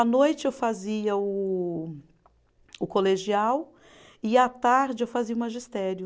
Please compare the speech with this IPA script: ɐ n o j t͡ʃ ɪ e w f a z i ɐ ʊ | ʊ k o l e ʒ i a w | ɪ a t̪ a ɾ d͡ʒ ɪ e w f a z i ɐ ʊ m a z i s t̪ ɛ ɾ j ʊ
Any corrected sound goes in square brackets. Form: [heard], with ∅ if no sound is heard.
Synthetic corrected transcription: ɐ n o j t͡ʃ ɪ e w f a z i ɐ ʊ | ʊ k o l e ʒ i a w | ɪ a t̪ a ɾ d͡ʒ ɪ e w f a z i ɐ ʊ m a [ʒ] i s t̪ ɛ ɾ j ʊ